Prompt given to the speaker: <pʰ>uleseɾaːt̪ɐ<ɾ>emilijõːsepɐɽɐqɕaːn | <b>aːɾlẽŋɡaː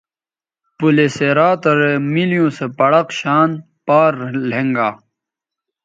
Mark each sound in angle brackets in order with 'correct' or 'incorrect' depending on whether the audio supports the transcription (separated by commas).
incorrect, correct, incorrect